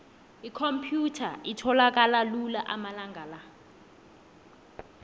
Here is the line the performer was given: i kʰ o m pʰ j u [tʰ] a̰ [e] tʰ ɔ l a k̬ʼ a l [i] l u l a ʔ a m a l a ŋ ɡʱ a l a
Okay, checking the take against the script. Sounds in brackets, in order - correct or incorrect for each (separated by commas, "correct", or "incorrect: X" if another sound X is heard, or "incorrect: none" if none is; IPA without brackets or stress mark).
correct, incorrect: i, incorrect: a